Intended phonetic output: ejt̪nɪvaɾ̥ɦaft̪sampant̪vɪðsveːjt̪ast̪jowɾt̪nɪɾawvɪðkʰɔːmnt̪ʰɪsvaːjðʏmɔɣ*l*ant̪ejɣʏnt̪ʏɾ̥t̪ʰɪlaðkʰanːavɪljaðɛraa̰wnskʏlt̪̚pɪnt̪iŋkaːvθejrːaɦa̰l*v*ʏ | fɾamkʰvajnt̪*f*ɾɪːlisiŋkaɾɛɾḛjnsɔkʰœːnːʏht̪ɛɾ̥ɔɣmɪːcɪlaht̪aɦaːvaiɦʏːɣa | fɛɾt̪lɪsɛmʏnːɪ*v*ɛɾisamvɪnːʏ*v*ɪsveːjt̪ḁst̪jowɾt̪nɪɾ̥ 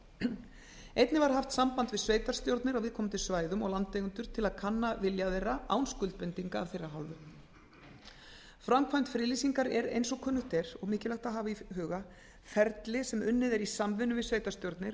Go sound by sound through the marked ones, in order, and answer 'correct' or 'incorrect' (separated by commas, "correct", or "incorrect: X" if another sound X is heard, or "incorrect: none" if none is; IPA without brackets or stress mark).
correct, correct, correct, incorrect: ð, correct